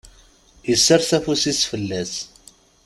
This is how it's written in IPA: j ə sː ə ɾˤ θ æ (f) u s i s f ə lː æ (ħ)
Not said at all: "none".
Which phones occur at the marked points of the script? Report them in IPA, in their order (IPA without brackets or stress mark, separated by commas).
f, s